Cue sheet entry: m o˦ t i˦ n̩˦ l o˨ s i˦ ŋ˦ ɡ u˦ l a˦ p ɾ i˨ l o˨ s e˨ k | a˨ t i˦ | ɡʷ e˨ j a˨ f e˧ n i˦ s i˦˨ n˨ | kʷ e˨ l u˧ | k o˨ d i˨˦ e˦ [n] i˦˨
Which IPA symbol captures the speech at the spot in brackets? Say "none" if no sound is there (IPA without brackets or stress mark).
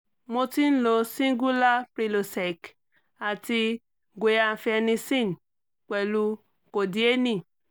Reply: n